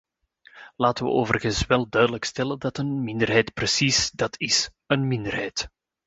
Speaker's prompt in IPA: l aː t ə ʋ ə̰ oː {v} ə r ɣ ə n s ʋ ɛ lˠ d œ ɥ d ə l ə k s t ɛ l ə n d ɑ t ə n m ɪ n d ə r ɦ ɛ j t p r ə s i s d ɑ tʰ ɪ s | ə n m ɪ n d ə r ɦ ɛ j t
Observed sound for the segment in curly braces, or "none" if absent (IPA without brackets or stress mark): v